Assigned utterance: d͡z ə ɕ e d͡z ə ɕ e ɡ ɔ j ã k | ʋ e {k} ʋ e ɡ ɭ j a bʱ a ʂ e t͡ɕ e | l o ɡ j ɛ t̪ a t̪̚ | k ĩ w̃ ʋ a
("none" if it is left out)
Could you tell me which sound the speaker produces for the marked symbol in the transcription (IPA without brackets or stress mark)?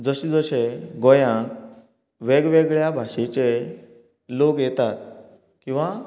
ɡ